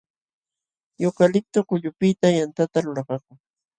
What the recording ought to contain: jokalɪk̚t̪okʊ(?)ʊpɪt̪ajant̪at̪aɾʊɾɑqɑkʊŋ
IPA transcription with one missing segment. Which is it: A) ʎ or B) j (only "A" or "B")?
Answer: A